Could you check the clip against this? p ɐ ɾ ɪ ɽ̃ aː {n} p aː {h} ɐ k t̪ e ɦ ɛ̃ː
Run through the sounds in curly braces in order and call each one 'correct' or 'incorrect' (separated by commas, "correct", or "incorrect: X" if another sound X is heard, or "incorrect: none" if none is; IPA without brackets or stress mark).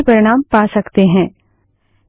incorrect: m, incorrect: s